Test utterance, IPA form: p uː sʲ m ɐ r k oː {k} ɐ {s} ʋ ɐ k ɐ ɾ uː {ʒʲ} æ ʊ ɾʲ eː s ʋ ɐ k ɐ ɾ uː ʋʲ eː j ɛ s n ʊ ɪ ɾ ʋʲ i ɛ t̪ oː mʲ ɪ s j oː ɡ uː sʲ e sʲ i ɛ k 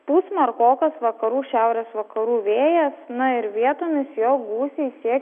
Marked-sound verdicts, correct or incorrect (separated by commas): correct, correct, incorrect